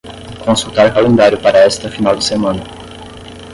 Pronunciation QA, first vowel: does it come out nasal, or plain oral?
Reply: nasal